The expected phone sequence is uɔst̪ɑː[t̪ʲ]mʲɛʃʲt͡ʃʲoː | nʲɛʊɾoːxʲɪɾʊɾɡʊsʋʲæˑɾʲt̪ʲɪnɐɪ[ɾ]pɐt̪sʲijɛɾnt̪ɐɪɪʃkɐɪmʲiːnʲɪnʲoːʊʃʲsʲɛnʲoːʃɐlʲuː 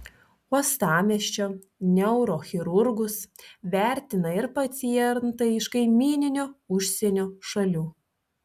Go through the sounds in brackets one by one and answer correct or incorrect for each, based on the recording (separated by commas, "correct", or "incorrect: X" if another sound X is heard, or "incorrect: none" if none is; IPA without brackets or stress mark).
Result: incorrect: none, correct